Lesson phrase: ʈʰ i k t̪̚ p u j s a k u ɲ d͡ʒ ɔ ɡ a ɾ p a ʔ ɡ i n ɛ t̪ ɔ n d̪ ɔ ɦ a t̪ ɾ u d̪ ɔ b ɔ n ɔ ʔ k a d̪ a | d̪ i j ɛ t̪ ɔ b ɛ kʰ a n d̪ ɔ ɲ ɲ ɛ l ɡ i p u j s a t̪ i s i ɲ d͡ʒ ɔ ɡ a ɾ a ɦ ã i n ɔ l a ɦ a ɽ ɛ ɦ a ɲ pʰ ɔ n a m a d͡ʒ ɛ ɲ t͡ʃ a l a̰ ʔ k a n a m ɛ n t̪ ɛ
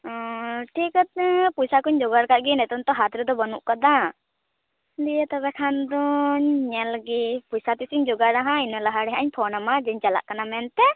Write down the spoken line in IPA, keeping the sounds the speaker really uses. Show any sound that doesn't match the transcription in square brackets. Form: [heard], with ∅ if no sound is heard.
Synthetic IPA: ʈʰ i k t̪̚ p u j s a k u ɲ d͡ʒ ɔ ɡ a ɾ [k] a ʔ ɡ i n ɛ t̪ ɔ n [t̪] ɔ ɦ a t̪ ɾ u d̪ ɔ b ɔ n [u] ʔ k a d̪ a | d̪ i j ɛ t̪ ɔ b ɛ kʰ a n d̪ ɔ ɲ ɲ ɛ l ɡ i p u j s a t̪ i s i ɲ d͡ʒ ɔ ɡ a ɾ a ɦ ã i n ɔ l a ɦ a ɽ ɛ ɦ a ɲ pʰ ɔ n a m a d͡ʒ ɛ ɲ t͡ʃ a l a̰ ʔ k a n a m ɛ n t̪ ɛ